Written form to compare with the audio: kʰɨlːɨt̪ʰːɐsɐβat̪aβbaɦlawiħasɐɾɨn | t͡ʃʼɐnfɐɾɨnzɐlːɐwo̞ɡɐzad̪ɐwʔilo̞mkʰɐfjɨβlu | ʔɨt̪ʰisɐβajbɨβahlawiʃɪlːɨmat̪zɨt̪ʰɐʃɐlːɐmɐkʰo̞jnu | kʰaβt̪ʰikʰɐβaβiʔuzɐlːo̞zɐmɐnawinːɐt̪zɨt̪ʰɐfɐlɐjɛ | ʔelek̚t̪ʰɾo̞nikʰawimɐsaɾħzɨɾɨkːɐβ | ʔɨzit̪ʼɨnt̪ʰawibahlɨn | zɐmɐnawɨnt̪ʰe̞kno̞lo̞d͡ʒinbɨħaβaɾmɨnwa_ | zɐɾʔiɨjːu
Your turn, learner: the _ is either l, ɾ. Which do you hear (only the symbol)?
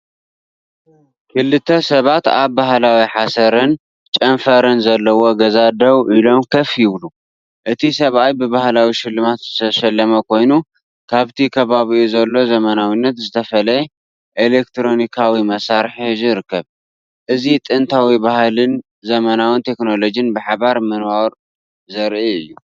ɾ